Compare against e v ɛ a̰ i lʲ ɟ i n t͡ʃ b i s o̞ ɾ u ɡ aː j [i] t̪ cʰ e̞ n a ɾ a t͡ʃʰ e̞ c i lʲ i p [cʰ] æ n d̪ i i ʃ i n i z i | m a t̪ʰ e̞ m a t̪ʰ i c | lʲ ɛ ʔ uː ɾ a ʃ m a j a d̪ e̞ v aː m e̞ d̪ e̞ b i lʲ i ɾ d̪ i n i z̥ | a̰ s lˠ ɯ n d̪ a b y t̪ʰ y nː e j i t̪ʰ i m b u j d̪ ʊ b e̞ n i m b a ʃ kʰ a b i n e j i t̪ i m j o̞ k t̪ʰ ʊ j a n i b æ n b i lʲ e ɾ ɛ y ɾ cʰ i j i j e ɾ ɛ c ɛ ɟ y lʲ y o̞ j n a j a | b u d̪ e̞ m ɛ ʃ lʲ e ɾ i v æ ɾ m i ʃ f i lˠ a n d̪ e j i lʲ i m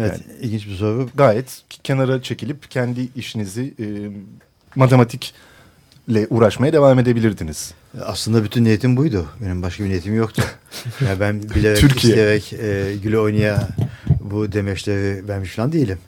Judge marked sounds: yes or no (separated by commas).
no, yes